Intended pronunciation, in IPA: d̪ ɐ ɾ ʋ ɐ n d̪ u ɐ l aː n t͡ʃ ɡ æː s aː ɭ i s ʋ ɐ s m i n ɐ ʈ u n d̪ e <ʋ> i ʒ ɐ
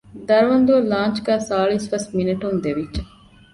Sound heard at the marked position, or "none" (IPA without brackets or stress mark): ʋ